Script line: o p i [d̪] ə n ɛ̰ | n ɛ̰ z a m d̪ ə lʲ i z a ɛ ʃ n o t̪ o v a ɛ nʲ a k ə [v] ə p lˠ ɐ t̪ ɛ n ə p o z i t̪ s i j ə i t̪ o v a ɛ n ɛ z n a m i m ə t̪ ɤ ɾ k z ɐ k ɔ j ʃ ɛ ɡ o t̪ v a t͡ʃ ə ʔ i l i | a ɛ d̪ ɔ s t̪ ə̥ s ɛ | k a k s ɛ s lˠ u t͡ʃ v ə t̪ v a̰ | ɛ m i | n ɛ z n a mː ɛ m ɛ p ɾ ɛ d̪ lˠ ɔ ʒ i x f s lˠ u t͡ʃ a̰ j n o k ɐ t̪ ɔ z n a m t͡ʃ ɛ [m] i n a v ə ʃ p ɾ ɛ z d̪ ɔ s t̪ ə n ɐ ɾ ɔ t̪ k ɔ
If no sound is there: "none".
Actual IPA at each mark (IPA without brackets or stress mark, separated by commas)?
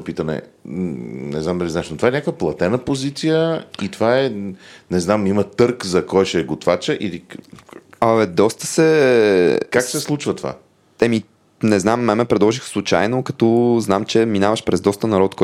t̪, v, m